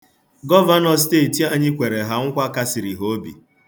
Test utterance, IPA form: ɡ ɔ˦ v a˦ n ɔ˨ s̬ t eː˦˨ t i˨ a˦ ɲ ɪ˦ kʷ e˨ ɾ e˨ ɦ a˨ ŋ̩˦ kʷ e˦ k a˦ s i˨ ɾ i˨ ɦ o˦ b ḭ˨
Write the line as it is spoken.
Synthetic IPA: ɡ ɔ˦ v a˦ n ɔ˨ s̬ t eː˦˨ t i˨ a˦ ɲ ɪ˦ kʷ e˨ ɾ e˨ ɦ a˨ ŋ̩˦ kʷ a˦ k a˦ s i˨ ɾ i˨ ɦ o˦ b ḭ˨